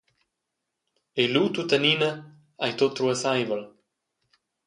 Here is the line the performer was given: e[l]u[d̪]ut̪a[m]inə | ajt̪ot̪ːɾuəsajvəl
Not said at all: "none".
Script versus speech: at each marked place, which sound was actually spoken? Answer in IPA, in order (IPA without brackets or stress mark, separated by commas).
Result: l, t̪, n